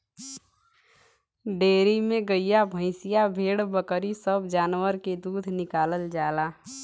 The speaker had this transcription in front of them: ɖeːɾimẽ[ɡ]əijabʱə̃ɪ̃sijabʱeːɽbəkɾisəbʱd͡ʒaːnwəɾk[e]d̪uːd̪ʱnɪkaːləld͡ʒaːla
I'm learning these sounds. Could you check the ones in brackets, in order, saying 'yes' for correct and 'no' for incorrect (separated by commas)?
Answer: yes, yes